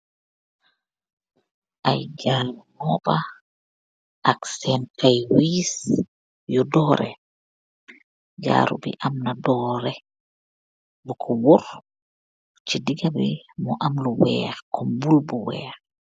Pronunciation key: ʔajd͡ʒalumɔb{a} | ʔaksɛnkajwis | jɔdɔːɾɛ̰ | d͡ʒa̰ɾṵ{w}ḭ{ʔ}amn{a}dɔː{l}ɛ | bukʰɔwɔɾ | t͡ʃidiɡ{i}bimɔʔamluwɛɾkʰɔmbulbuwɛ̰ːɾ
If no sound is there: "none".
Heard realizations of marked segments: a, b, ʔ, a, ɾ, a

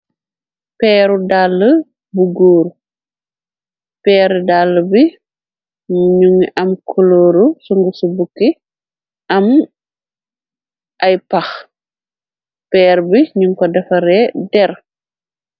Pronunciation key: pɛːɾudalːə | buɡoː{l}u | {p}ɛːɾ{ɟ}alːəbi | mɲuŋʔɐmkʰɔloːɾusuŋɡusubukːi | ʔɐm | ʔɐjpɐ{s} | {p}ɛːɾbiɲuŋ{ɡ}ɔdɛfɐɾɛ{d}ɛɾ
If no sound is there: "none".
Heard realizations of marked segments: ɾ, p, d, x, p, k, d

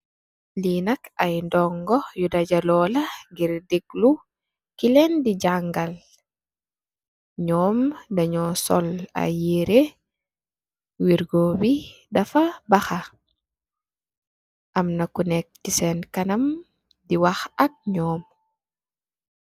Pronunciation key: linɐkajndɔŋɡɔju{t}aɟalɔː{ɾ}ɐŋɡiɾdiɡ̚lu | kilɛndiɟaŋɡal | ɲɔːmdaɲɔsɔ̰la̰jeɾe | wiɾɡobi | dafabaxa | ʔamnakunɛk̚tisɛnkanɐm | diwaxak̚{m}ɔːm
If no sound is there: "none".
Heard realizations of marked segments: d, l, ɲ

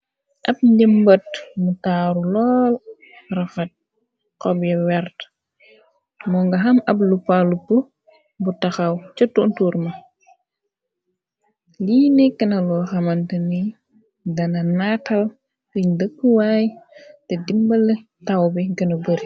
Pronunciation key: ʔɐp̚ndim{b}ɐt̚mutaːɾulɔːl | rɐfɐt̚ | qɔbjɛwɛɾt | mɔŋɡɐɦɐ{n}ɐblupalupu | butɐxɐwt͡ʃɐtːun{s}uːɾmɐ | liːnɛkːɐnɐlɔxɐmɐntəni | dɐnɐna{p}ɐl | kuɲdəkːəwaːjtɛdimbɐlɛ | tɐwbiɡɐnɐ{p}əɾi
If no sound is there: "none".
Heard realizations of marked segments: b, m, t, t, b

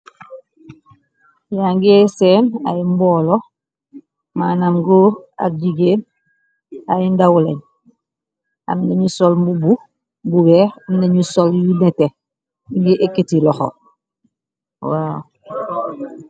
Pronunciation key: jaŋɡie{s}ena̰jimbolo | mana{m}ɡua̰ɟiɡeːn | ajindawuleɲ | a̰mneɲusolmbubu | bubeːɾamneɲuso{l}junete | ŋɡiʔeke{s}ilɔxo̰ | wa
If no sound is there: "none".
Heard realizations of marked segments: s, m, l, t

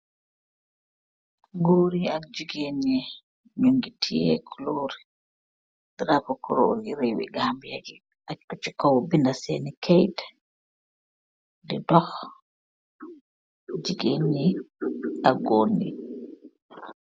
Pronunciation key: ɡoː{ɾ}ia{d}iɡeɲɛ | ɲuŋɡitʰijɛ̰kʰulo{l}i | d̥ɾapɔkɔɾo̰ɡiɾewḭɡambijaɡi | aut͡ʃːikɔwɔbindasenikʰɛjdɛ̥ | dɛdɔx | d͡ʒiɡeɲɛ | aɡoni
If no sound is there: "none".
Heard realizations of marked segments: ɾ, d͡ʒ, ɾ

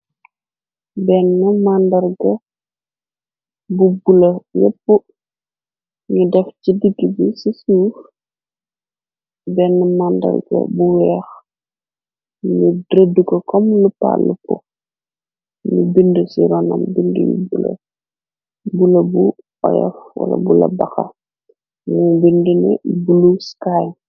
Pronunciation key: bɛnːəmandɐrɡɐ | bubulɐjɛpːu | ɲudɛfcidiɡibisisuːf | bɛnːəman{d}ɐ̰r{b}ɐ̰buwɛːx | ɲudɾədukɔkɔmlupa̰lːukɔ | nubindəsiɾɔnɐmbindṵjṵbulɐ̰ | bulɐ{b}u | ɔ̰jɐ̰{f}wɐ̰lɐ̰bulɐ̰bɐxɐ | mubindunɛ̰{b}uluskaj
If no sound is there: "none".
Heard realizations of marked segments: d, ɡ, b, f, b

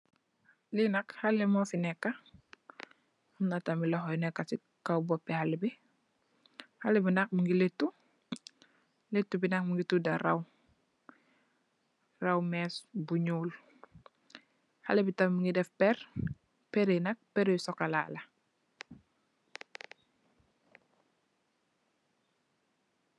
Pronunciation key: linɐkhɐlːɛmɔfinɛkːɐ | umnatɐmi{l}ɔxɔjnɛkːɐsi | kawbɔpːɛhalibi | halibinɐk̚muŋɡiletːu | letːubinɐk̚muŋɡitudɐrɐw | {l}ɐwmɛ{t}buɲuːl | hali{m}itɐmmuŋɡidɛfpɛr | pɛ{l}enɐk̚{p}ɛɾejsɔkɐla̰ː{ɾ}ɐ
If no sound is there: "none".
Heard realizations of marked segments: l, r, s, b, ɾ, p, l

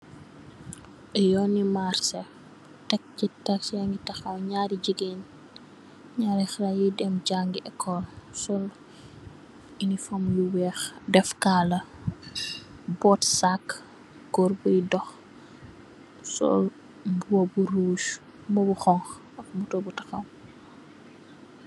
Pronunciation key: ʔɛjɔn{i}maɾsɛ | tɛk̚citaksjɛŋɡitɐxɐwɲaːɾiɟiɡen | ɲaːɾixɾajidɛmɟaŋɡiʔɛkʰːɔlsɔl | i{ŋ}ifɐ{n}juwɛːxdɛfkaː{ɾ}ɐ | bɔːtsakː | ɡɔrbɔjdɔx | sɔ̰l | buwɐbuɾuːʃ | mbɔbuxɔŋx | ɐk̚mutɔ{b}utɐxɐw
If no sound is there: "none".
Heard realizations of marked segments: i, n, m, l, b

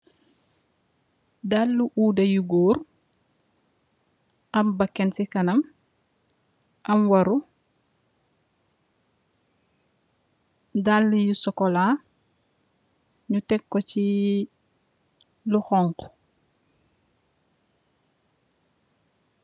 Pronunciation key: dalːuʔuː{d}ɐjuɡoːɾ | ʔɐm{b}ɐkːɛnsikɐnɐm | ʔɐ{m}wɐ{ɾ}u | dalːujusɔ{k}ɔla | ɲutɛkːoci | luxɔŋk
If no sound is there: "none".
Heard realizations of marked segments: d, b, m, ɾ, k

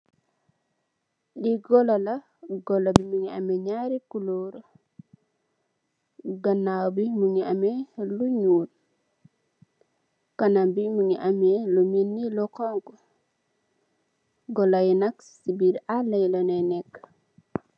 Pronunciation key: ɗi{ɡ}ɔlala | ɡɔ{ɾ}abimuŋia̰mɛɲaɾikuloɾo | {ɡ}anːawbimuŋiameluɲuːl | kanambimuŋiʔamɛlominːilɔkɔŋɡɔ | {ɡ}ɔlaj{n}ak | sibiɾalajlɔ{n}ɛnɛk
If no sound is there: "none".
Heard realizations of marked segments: ɡ, l, ɡ, ɡ, n, n

